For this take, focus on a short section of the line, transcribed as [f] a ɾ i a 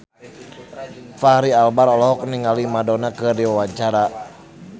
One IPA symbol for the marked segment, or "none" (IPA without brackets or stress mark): f